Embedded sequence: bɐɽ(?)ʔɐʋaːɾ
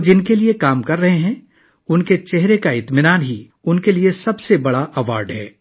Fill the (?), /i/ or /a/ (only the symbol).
a